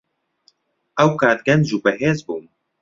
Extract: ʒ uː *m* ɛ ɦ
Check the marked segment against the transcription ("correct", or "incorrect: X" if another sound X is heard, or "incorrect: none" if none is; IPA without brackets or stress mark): incorrect: b